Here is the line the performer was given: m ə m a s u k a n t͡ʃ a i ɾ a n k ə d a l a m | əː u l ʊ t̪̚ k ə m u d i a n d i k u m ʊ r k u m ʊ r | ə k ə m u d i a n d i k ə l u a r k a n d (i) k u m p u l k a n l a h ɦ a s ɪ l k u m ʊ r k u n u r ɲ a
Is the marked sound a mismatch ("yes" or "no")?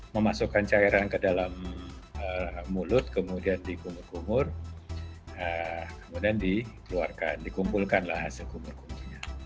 no